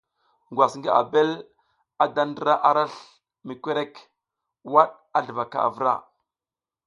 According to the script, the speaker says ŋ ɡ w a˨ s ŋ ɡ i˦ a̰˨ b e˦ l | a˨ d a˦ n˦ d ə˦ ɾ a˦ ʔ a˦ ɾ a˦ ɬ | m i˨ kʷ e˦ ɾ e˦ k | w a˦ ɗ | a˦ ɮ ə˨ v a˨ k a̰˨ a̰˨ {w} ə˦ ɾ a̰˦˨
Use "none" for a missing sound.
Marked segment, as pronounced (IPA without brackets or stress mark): v